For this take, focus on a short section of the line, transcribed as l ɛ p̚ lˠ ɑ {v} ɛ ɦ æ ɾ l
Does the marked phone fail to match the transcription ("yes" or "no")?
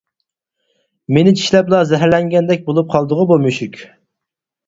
yes